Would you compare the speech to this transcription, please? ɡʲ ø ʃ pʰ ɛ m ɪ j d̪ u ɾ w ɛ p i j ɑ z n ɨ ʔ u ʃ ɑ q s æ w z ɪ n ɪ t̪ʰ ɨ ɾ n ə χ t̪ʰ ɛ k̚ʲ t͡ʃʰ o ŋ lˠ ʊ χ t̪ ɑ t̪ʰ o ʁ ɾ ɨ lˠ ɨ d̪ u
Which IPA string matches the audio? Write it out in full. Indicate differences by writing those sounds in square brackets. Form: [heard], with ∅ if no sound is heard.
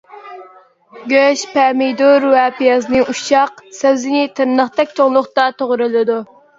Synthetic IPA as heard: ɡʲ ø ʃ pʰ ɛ m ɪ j d̪ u ɾ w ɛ p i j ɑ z n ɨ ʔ u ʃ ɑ q s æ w z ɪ n ɪ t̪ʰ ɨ ɾ n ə χ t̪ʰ ɛ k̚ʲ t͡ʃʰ o ŋ lˠ ʊ χ t̪ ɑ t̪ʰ o ʁ ɾ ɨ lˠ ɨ d̪ u